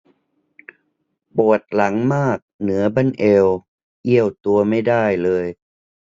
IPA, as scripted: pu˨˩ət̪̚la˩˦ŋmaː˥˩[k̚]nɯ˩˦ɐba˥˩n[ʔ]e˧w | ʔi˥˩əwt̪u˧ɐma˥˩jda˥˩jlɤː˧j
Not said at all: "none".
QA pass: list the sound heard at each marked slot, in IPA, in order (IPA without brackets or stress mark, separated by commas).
k̚, ʔ